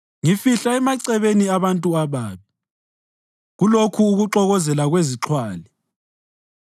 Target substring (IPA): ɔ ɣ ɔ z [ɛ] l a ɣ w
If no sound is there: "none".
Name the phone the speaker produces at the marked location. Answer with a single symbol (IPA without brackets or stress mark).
ɛ